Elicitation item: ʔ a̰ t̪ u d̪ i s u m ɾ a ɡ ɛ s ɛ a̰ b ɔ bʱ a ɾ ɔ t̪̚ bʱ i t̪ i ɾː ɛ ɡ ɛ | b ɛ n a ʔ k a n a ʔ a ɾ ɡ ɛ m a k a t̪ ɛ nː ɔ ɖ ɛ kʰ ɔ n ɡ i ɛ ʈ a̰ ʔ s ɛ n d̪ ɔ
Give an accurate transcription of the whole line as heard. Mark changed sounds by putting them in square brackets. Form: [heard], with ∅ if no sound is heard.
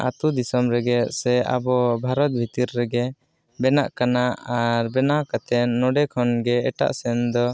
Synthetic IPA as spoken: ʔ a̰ t̪ u d̪ i s [ɔ] m ɾ [ɛ] ɡ ɛ s ɛ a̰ b ɔ bʱ a ɾ ɔ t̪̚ bʱ i t̪ i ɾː ɛ ɡ ɛ | b ɛ n a ʔ k a n a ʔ a ɾ [b] ɛ [n] a k a t̪ ɛ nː ɔ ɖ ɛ kʰ ɔ n ɡ [ɛ] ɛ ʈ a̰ ʔ s ɛ n d̪ ɔ